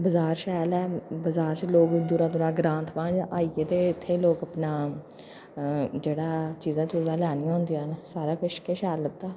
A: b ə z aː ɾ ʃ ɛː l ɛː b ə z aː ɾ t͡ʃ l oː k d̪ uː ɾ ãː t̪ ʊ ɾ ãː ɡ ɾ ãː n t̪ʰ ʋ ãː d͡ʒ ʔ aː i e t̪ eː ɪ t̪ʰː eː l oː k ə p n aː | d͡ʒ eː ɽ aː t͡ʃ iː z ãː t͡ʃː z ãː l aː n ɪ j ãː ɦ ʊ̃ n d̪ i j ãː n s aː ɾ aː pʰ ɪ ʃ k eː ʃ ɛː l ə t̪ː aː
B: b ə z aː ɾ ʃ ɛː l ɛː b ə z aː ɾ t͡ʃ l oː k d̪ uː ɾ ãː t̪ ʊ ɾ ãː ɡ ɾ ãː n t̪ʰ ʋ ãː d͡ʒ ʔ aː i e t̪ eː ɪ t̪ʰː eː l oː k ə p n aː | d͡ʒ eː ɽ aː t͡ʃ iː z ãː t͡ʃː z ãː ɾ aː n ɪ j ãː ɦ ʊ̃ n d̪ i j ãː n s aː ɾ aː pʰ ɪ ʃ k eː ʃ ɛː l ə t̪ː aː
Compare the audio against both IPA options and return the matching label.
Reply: A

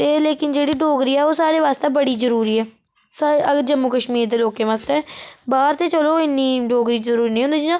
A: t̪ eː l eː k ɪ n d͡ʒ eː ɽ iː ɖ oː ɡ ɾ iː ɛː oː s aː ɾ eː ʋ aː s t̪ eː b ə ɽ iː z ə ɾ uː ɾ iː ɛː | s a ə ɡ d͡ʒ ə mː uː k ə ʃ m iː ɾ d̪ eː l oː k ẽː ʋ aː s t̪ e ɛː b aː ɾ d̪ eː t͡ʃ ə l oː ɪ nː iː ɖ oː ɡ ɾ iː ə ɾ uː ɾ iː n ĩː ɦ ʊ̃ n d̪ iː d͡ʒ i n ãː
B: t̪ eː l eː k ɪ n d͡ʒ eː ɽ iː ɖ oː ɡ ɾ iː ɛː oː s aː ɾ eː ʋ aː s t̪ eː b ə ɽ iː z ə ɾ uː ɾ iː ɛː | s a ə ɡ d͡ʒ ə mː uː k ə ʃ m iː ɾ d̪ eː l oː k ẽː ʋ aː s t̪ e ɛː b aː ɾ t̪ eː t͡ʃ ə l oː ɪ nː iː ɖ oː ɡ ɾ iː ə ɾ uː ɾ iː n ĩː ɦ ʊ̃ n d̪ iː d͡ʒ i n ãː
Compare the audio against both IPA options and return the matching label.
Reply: B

